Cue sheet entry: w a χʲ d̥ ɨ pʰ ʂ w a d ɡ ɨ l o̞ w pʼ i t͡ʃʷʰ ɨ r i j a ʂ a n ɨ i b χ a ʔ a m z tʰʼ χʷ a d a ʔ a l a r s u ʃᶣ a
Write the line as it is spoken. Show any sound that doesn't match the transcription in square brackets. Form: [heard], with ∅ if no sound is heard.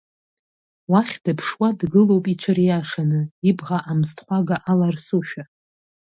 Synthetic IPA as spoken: w a χʲ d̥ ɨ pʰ ʂ w a d ɡ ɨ l o̞ w pʼ i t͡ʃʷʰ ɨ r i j a ʂ a n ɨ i b [ʁ] a ʔ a m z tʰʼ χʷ a [ɡ] a ʔ a l a r s u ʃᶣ a